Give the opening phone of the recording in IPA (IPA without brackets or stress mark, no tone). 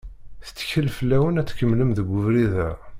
θ